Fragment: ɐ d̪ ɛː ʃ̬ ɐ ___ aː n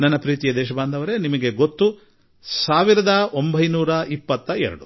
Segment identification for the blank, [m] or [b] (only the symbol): b